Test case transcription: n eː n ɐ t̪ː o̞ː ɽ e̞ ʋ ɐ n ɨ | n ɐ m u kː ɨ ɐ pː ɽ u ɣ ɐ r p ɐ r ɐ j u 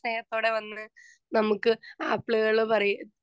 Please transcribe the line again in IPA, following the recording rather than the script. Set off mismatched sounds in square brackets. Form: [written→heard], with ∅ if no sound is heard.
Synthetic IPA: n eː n ɐ t̪ː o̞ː ɽ e̞ ʋ ɐ [n→nː] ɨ | n ɐ m u kː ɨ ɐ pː [ɽ→ɭ] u ɣ ɐ [r→ɭ] p ɐ r ɐ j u

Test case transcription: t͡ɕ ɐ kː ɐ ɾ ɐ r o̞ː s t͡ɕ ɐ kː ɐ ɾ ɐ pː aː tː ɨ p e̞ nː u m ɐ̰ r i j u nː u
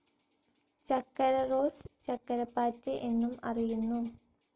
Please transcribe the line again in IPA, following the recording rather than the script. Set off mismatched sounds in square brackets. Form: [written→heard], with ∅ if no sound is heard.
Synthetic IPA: t͡ɕ ɐ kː ɐ ɾ ɐ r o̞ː s t͡ɕ ɐ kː ɐ ɾ ɐ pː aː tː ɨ [p→ʔ] e̞ nː u m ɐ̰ r i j u nː u

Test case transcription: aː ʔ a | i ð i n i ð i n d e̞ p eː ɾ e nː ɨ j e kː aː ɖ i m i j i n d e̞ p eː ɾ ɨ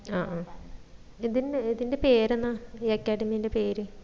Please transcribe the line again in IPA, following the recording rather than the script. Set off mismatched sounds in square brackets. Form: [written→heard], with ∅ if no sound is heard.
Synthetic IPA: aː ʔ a | i ð i n i ð i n d e̞ p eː ɾ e nː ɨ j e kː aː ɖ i m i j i n d e̞ p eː ɾ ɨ

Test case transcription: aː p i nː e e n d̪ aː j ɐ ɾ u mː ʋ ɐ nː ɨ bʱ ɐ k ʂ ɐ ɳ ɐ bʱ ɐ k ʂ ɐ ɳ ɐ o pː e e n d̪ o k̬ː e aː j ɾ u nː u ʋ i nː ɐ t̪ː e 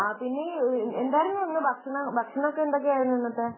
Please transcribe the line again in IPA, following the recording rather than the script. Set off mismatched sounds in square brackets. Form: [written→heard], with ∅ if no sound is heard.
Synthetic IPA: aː p i nː e e n d̪ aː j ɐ ɾ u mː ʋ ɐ nː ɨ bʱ ɐ k ʂ ɐ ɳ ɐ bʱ ɐ k ʂ ɐ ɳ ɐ o [pː→kː] e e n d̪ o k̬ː e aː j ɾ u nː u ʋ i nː ɐ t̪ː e

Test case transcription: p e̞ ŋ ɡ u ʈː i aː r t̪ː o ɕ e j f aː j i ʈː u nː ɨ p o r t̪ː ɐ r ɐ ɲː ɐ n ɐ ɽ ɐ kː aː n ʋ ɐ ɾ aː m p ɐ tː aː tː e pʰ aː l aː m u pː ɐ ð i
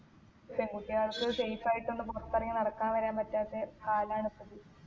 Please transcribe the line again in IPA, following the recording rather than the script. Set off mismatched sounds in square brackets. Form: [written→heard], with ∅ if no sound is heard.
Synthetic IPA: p e̞ ŋ ɡ u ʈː i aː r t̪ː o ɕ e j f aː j i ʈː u nː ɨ p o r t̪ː ɐ r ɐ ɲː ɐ n ɐ ɽ ɐ kː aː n ʋ ɐ ɾ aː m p ɐ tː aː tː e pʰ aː l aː [m→ɳ] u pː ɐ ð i

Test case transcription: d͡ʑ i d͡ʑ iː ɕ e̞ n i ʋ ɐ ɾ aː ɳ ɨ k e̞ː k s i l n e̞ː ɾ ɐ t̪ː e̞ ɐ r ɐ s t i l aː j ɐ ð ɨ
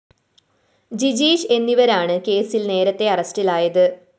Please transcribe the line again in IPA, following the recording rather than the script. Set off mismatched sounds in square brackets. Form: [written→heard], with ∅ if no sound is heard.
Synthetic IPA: d͡ʑ i d͡ʑ iː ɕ e̞ [n→nː] i ʋ ɐ ɾ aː ɳ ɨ k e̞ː [k→∅] s i l n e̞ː ɾ ɐ t̪ː e̞ ɐ r ɐ s t i l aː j ɐ ð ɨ

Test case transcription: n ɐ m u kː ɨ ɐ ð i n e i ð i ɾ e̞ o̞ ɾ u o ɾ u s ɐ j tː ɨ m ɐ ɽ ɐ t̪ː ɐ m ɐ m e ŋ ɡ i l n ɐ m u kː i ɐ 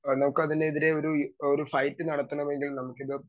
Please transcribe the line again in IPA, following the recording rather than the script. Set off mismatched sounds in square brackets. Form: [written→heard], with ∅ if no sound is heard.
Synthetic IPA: n ɐ m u kː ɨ ɐ ð i n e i ð i ɾ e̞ o̞ ɾ u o ɾ u [s→f] ɐ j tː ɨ [m→n] ɐ ɽ ɐ t̪ː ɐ [m→ɳ] ɐ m e ŋ ɡ i l n ɐ m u kː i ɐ

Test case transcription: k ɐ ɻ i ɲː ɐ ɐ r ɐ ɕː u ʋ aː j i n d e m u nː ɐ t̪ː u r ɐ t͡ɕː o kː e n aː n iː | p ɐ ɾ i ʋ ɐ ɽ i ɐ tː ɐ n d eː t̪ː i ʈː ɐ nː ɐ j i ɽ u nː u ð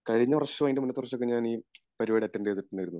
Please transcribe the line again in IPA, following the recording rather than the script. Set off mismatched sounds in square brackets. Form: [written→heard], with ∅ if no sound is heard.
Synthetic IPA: k ɐ ɻ i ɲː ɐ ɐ r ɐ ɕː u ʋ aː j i n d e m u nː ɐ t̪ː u r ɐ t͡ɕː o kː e [n→ɲ] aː n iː | p ɐ ɾ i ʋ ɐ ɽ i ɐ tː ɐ n d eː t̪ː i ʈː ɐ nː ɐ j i [ɽ→ɾ] u nː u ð

